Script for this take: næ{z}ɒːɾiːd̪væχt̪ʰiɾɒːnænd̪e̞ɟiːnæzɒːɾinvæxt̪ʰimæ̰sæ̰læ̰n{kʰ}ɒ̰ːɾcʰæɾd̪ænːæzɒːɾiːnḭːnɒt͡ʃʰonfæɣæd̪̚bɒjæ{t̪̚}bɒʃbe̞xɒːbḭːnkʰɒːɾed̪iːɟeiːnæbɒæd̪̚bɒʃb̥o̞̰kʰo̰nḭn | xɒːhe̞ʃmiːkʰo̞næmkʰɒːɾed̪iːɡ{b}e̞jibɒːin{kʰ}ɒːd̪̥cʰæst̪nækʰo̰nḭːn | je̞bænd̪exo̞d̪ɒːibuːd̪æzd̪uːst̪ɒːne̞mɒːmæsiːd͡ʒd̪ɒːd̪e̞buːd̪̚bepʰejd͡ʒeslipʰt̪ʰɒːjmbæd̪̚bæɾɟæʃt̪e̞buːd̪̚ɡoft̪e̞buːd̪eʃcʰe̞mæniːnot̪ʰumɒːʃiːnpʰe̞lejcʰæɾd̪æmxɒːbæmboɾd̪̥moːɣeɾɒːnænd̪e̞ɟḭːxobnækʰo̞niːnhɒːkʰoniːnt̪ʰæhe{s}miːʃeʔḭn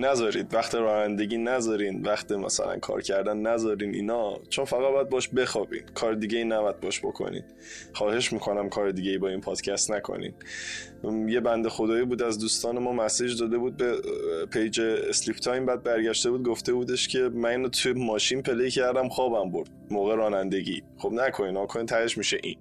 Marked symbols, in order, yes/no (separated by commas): yes, yes, no, no, no, no